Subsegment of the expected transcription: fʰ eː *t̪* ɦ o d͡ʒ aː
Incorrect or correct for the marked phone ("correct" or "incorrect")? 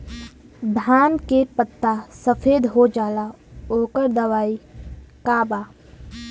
incorrect